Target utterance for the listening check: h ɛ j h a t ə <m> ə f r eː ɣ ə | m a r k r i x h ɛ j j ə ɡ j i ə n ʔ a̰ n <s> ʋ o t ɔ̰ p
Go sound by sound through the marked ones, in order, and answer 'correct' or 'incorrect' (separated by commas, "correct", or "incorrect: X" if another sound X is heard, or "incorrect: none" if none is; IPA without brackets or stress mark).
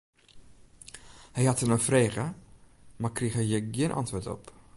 incorrect: n, incorrect: t